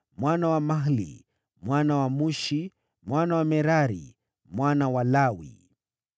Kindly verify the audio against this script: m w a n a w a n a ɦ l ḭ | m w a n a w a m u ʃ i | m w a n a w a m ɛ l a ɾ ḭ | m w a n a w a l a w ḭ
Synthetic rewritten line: m w a n a w a m a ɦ l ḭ | m w a n a w a m u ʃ i | m w a n a w a m ɛ ɾ a ɾ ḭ | m w a n a w a l a w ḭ